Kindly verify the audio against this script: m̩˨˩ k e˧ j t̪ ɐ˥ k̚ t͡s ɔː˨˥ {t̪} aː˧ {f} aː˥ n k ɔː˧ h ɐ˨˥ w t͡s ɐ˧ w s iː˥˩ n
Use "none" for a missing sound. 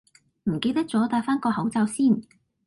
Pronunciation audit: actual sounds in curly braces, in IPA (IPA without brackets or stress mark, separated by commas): t̪, f